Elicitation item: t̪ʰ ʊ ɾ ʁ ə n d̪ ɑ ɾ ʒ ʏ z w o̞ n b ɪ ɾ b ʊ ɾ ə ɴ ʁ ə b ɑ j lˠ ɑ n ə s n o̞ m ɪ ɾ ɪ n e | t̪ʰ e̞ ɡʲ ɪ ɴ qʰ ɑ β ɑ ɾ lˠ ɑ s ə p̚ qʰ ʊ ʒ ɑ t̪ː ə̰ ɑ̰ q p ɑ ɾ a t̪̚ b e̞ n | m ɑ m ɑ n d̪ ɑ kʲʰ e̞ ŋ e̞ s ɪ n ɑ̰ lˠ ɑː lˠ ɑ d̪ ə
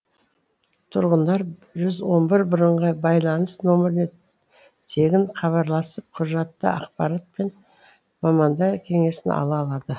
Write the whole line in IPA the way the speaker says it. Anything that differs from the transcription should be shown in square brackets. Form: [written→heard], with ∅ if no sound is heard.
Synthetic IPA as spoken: t̪ʰ ʊ ɾ ʁ ə n d̪ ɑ ɾ ʒ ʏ z w o̞ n b ɪ ɾ b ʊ ɾ ə ɴ ʁ [ə→ɑ] b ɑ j lˠ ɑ n ə s n o̞ m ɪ ɾ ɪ n e | t̪ʰ e̞ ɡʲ ɪ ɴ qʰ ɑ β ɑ ɾ lˠ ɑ s ə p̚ qʰ ʊ ʒ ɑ t̪ː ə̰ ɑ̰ q p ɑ ɾ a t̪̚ [b→p] e̞ n | m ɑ m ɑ n d̪ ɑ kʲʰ e̞ ŋ e̞ s ɪ n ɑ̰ lˠ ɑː lˠ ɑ d̪ ə